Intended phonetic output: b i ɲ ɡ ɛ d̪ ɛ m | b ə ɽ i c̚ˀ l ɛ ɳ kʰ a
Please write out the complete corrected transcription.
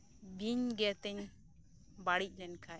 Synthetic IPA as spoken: b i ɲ ɡ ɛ t̪ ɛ ɲ | b a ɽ i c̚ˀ l ɛ n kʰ a